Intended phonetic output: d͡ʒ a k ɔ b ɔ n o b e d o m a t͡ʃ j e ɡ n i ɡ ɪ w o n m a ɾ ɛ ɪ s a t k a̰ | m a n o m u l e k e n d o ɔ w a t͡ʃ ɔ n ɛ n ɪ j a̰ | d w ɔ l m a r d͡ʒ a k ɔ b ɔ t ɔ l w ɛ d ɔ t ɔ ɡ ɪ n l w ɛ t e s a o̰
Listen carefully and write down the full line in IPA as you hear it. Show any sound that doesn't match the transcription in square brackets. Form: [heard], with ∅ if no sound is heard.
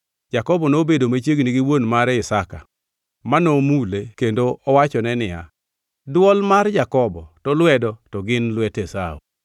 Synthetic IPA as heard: d͡ʒ a k ɔ b ɔ n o b e d o m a t͡ʃ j e ɡ n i ɡ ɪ w o n m a ɾ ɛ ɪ s a [∅] k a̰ | m a n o m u l e k e n d o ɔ w a t͡ʃ ɔ n ɛ n ɪ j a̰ | d w ɔ l m a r d͡ʒ a k ɔ b ɔ t ɔ l w ɛ d ɔ t ɔ ɡ ɪ n l w ɛ t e s a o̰